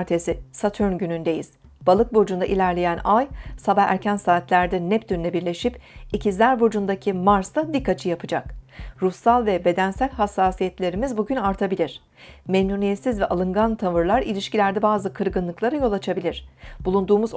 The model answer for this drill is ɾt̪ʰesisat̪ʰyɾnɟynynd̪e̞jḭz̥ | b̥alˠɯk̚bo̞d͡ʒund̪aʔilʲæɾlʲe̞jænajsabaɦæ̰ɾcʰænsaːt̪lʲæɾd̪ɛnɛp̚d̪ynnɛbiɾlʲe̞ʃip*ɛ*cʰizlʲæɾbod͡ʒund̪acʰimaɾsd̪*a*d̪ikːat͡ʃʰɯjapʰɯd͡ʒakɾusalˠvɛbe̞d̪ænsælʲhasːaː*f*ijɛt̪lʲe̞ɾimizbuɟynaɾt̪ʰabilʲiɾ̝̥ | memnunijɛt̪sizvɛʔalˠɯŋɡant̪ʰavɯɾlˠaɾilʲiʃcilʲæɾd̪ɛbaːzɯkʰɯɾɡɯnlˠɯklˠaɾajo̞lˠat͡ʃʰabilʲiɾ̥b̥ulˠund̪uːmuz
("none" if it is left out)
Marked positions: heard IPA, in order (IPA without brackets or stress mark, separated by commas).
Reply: i, a, s